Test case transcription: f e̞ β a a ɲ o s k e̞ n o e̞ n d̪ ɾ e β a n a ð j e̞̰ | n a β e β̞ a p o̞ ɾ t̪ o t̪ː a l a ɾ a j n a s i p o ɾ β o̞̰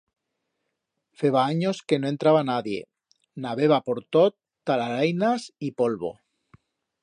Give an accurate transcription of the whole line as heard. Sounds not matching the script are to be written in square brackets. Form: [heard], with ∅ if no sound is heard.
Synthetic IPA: f e̞ β a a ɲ o s k e̞ n o e̞ n [t̪] ɾ [a] β a n a ð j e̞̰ | n a β e β̞ a p o̞ ɾ t̪ o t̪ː a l a ɾ a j n a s i p o [l] β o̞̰